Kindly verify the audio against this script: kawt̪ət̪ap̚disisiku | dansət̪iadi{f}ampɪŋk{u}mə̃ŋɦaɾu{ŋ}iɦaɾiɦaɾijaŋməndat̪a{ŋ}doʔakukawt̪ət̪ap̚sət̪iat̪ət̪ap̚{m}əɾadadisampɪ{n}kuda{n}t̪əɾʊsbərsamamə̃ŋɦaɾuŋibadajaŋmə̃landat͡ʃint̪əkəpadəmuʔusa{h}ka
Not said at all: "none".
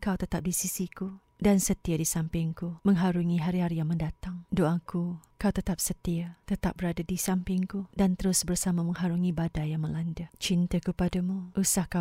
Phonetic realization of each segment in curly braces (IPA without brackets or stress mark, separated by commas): s, u, ŋ, ŋ, b, ŋ, n, h